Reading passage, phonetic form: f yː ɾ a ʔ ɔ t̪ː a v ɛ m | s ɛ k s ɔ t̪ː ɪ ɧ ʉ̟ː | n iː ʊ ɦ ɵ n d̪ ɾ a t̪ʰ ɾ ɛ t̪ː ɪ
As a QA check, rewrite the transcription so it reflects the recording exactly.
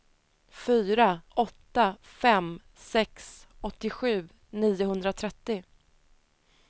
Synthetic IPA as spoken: f yː ɾ a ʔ ɔ t̪ː a f ɛ m | s ɛ k s ɔ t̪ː ɪ ɧ ʉ̟ː | n iː ʊ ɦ ɵ n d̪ ɾ a t̪ʰ ɾ ɛ t̪ː ɪ

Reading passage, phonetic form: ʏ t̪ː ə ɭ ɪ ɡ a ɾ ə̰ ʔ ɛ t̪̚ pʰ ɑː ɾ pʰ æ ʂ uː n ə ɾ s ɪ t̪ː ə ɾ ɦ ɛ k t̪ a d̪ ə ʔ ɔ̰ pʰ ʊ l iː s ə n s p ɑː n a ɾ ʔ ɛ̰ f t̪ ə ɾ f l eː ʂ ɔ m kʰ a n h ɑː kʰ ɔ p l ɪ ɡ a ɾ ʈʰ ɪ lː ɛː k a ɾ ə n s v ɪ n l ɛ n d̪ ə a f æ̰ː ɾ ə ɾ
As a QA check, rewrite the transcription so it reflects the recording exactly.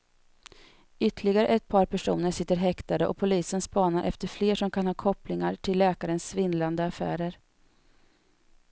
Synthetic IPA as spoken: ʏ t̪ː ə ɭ ɪ ɡ a ɾ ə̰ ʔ ɛ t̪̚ pʰ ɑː ɾ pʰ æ ʂ uː n ə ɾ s ɪ t̪ː ə ɾ ɦ ɛ k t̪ a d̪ ə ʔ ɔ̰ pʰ ʊ l iː s ə n s p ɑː n a ɾ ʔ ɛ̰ f t̪ ə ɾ f l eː ʂ ɔ m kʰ a n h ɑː kʰ ɔ p l ɪ ŋ a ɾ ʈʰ ɪ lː ɛː k a ɾ ə n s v ɪ n l a n d̪ ə a f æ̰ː ɾ ə ɾ

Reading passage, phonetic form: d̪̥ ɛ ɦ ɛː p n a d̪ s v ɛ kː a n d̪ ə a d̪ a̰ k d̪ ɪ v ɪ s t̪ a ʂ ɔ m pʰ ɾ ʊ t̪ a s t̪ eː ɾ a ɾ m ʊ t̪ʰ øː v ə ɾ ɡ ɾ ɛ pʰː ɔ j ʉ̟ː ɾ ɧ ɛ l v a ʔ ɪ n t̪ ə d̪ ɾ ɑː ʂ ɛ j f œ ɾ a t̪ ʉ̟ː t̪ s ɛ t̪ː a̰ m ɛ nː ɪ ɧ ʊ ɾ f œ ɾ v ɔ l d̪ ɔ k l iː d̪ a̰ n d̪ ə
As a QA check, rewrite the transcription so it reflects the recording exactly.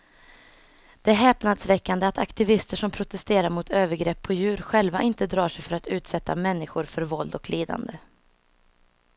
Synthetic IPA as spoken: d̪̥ ɛ ɦ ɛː p n a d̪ s v ɛ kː a n d̪ ə a t̪ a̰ k t̪ ɪ v ɪ s t̪ ə ʂ ɔ m pʰ ɾ ʊ t̪ ɛ s t̪ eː ɾ a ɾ m ʊ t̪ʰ øː v ə ɾ ɡ ɾ ɛ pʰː ɔ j ʉ̟ː ɾ ɧ ɛ l v a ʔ ɪ n t̪ ə d̪ ɾ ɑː ʂ ɛ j f œ ɾ a t̪ ʉ̟ː t̪ s ɛ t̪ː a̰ m ɛ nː ɪ ɧ ʊ ɾ f œ ɾ v ɔ l d̪ ɔ k l iː d̪ a̰ n d̪ ə

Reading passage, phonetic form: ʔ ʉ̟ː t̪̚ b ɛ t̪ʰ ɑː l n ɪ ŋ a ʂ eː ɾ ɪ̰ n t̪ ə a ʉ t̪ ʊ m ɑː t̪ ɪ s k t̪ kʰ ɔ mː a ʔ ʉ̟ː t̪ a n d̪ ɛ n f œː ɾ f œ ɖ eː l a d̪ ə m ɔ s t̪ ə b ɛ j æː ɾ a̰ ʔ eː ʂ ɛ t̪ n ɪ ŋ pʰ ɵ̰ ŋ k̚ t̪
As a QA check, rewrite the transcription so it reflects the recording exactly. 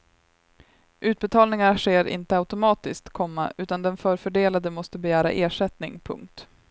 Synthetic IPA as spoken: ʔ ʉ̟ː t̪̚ b ɛ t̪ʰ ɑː l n ɪ ŋ a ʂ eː ɾ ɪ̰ n t̪ ə a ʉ t̪ ʊ m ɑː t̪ ɪ s k t̪ kʰ ɔ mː a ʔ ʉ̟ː t̪ a n d̪ ɛ n f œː ɾ f œ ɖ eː l a d̪ ə m ɔ s t̪ ə b ɛ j æː ɾ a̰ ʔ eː ʂ ɛ t̪ n ɪ ŋ pʰ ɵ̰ ŋ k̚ t̪

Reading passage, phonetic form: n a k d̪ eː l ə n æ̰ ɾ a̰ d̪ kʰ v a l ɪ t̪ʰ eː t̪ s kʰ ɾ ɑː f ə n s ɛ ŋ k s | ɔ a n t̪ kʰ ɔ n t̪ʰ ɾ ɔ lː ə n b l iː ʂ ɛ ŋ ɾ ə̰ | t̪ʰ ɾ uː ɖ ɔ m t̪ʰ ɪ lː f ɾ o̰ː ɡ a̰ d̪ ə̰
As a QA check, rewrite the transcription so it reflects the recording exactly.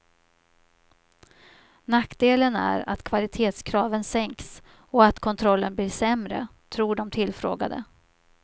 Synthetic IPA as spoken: n a k d̪ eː l ə n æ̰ ɾ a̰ t̪ kʰ v a l ɪ t̪ʰ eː t̪ s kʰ ɾ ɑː v ə n s ɛ ŋ k s | ɔ a t̪ kʰ ɔ n t̪ʰ ɾ ɔ lː ə n b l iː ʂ ɛ m ɾ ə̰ | t̪ʰ ɾ uː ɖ ɔ m t̪ʰ ɪ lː f ɾ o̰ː ɡ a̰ d̪ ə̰

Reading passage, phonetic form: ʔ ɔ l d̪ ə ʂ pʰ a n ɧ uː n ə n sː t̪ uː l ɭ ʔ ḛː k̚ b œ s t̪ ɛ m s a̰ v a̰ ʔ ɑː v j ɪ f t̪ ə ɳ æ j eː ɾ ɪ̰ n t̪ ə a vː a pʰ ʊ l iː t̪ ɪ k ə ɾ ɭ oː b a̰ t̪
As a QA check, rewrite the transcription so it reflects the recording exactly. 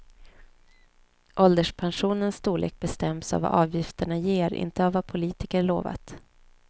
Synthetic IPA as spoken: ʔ ɔ l d̪ ə ʂ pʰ a n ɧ uː n ə n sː t̪ uː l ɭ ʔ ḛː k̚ b ɛ s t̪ ɛ m s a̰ v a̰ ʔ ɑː v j ɪ f t̪ ə ɳ a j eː ɾ ɪ̰ n t̪ ə a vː a pʰ ʊ l iː t̪ ɪ k ə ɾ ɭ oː v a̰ t̪

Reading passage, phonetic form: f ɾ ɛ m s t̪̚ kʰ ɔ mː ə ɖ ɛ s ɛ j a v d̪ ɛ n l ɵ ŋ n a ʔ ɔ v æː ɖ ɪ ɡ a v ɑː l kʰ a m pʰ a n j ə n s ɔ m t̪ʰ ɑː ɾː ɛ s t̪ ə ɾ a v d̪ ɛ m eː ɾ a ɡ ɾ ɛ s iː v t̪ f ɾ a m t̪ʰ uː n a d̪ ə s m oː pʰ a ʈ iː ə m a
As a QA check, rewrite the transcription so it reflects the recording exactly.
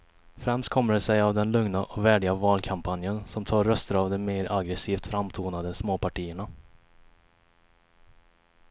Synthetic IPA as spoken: f ɾ ɛ m s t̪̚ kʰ ɔ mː ə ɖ ɛ s ɛ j a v d̪ ɛ n l ɵ ŋ n a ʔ ɔ v æː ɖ ɪ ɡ a v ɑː l kʰ a m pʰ a n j ə n s ɔ m t̪ʰ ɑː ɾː œ s t̪ ə ɾ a v d̪ ɛ m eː ɾ a ɡ ɾ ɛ s iː f t̪ f ɾ a m t̪ʰ uː n a d̪ ə s m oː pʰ a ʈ iː ə ɳ a

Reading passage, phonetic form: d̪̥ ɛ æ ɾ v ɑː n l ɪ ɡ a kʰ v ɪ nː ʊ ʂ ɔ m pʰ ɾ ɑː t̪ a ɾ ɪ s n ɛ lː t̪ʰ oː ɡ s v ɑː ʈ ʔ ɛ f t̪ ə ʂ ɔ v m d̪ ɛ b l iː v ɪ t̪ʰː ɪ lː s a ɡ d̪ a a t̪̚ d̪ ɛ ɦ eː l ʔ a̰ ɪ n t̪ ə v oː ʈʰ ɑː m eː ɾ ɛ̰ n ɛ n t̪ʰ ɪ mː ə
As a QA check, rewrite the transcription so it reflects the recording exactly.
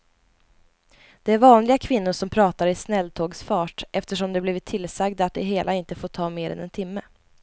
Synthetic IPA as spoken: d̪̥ ɛ æ ɾ v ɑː n l ɪ ɡ a kʰ v ɪ nː ʊ ʂ ɔ m pʰ ɾ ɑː t̪ a ɾ ɪ s n ɛ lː t̪ʰ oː ɡ s f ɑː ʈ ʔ ɛ f t̪ ə ʂ ɔ m d̪ ɛ b l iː v ɪ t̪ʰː ɪ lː s a ɡ d̪ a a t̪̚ d̪ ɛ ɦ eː l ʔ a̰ ɪ n t̪ ə f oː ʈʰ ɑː m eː ɾ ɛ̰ n ɛ n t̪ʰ ɪ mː ə

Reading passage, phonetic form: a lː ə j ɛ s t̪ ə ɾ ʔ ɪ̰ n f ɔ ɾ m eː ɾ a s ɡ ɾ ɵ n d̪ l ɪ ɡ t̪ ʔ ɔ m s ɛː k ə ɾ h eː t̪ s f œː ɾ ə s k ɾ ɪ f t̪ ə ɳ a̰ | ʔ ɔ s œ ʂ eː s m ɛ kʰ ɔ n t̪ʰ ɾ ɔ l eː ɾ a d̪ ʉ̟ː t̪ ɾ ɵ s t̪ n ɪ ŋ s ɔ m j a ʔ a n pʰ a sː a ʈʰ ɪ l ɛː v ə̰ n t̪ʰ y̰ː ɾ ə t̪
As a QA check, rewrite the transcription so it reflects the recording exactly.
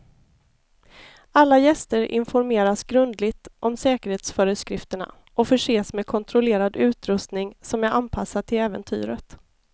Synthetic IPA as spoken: a lː a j ɛ s t̪ ə ɾ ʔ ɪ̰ n f ɔ ɾ m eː ɾ a s ɡ ɾ ɵ n d̪ l ɪ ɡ t̪ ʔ ɔ m s ɛː k ə ɾ h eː t̪ s f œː ɾ ə s k ɾ ɪ f t̪ ə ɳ a̰ | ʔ ɔ f œ ʂ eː s m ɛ kʰ ɔ n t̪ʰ ɾ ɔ l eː ɾ a d̪ ʉ̟ː t̪ ɾ ɵ s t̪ n ɪ ŋ s ɔ m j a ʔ a n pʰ a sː a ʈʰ ɪ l ɛː v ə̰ n t̪ʰ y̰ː ɾ ə t̪

